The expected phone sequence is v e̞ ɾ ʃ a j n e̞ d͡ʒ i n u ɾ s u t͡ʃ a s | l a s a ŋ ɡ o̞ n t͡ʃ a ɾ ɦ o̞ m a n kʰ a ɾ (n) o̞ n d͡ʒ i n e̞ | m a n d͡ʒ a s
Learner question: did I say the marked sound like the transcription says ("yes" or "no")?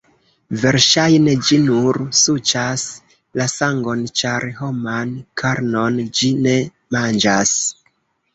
yes